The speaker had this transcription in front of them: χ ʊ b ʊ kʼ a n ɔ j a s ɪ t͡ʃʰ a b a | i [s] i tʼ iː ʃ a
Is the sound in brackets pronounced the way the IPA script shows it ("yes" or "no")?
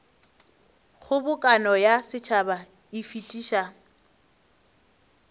no